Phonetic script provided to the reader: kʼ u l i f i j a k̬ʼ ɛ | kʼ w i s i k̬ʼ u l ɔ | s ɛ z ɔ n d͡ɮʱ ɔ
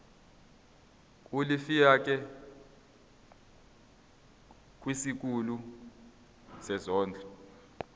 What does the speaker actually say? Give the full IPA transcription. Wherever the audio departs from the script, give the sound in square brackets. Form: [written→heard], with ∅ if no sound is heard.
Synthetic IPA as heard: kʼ u l i f i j a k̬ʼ ɛ | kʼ w i s i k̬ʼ u l [ɔ→u] | s ɛ z [ɔ→ɔː] n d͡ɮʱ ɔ

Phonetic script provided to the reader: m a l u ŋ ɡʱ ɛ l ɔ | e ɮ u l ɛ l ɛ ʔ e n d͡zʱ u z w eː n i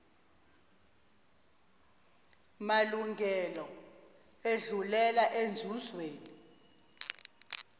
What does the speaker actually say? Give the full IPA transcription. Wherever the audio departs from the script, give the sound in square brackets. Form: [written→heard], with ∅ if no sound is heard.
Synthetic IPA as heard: m a l u ŋ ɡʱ ɛ l ɔ | e ɮ u l ɛ l [ɛ→a] ʔ e n d͡zʱ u z w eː n i

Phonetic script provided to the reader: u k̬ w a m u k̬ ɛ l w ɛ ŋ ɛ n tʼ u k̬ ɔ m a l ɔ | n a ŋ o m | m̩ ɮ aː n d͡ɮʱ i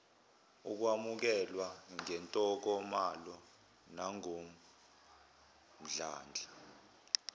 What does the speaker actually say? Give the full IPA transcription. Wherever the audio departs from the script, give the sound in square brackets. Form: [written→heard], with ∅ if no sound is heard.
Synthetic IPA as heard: u k̬ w a m u k̬ ɛ l w [ɛ→a] ŋ ɛ n tʼ [u→ɔ] k̬ ɔ m a l ɔ | n a ŋ o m | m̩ ɮ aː n d͡ɮʱ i

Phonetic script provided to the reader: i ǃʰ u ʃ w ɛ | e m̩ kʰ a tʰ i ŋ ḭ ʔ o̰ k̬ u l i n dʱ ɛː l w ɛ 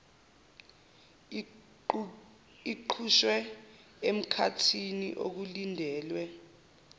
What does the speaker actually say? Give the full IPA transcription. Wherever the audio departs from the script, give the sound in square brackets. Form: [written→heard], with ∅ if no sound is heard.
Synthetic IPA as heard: i ǃʰ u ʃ w ɛ | e m̩ kʰ a tʰ i [ŋ→n] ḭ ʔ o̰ k̬ u l i n dʱ ɛː l w ɛ

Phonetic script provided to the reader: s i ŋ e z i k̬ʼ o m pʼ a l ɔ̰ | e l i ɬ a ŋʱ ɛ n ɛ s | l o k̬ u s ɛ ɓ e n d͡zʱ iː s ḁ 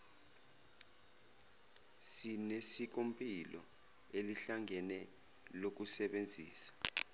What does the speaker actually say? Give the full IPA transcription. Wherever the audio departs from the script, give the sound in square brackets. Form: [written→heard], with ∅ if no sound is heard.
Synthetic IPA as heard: s i [ŋ→n] e [z→s] i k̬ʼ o m pʼ [a→i] l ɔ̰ | e l i ɬ a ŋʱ ɛ n ɛ [s→∅] | l o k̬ u s ɛ ɓ e n d͡zʱ iː s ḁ

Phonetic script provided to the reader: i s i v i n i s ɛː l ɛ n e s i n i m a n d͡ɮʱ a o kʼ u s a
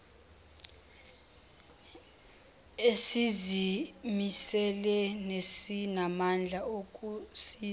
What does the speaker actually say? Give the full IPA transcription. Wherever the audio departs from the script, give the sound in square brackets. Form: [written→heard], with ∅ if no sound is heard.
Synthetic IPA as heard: [i→e] s i [v→z] i [n→m] i s [ɛː→ɛ] l ɛ n e s i n [i→a] m a n d͡ɮʱ a o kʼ u s [a→i]

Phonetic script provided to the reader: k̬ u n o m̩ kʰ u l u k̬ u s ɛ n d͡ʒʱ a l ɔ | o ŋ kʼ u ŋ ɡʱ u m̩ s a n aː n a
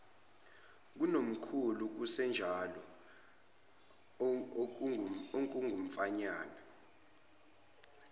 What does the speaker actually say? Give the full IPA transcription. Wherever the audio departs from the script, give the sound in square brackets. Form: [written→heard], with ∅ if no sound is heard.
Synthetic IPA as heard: k̬ u n o m̩ kʰ u l u k̬ u s ɛ n d͡ʒʱ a l ɔ | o ŋ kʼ u ŋ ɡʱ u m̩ [s→f] a [n→ɲ] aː n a

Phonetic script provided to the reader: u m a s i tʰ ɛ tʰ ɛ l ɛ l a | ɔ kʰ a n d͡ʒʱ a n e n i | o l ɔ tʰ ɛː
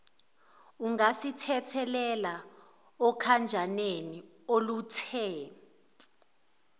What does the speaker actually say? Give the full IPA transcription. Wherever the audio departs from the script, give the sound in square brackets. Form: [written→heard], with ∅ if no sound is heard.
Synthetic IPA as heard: u [m→ŋ] a s i tʰ ɛ tʰ ɛ l ɛ l a | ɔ kʰ a n d͡ʒʱ a n e n i | o l [ɔ→u] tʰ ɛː

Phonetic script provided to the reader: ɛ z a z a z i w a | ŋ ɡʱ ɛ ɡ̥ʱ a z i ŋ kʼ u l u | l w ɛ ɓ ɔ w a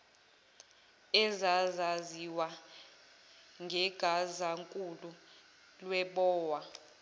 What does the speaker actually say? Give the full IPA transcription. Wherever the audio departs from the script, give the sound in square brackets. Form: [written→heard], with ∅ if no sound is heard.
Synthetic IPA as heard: ɛ z a z a z i w a | ŋ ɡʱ ɛ ɡ̥ʱ a z [i→a] ŋ kʼ u l u | l w ɛ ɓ [ɔ→ɔː] w a

